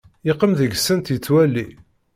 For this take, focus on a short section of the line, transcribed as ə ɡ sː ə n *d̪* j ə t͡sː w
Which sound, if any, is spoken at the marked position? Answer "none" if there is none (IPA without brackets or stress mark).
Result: t̪